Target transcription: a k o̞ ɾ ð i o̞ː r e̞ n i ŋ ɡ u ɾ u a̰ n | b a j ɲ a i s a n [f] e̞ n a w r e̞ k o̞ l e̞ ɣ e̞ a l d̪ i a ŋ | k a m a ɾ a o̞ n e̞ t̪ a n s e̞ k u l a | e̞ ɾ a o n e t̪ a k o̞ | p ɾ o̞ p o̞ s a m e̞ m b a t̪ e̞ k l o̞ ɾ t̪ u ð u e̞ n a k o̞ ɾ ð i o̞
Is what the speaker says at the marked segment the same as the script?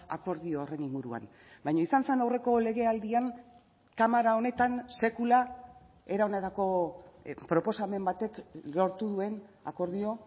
no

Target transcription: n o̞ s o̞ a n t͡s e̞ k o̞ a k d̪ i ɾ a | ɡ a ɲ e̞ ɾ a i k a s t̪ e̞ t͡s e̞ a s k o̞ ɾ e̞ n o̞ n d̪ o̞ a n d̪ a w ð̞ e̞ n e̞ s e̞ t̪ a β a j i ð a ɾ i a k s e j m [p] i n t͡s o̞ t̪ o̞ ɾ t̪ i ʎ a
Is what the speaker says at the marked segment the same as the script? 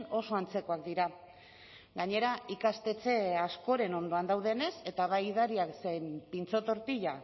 yes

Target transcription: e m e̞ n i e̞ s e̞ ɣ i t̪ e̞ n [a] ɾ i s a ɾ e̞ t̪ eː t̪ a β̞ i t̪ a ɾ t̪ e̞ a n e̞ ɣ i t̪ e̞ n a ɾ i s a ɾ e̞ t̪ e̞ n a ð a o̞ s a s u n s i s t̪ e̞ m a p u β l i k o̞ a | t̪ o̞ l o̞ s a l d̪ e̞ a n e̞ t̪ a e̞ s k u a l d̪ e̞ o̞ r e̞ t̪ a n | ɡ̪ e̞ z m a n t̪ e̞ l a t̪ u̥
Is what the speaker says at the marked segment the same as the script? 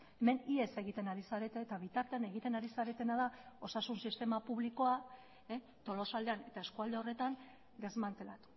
yes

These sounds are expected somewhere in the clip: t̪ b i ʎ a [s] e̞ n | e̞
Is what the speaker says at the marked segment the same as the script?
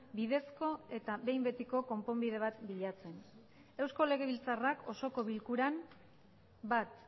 no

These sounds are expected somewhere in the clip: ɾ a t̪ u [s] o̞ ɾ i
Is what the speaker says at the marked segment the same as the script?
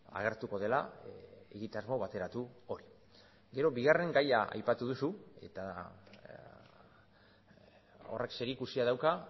no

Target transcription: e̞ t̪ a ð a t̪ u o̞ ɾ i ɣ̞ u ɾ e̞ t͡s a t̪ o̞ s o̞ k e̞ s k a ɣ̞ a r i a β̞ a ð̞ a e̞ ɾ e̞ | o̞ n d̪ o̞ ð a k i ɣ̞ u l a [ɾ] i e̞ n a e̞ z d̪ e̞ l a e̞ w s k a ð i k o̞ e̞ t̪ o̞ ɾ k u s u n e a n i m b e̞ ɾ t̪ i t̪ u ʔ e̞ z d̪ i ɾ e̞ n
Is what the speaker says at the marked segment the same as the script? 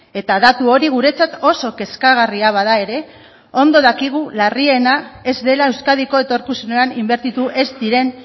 no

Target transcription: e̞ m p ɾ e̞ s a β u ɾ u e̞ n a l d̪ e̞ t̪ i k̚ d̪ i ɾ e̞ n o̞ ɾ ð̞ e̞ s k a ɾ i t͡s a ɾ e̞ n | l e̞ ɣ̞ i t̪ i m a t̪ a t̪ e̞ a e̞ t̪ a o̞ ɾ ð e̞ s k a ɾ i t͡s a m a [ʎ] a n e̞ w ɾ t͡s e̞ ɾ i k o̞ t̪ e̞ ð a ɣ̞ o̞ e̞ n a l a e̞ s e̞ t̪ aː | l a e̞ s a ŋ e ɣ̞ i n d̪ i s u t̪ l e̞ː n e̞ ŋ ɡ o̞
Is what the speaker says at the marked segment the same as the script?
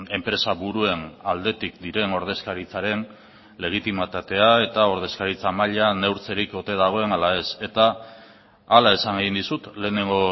yes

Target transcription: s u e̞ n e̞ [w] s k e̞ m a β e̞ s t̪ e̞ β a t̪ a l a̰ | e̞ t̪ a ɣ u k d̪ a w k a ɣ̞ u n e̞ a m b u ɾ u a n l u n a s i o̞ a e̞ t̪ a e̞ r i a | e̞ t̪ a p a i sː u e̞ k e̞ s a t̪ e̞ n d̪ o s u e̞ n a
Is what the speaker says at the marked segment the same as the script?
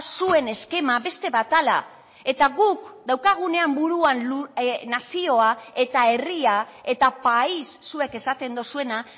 no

